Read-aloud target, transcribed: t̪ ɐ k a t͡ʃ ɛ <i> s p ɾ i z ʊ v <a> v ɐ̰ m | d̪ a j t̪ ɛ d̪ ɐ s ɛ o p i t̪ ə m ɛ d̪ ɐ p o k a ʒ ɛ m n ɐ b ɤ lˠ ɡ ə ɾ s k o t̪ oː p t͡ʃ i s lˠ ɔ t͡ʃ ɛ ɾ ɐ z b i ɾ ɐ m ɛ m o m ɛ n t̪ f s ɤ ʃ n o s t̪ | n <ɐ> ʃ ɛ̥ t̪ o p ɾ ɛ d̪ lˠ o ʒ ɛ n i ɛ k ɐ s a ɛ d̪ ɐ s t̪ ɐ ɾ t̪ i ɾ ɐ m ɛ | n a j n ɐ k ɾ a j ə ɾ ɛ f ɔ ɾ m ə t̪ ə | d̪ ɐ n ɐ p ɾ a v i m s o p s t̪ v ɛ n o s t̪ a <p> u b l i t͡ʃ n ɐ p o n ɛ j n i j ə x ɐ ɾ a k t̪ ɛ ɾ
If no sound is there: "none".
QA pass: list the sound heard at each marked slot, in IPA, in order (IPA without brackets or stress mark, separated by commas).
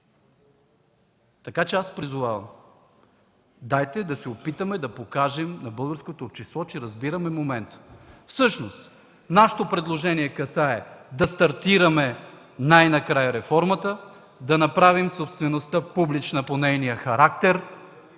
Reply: a, a, a, p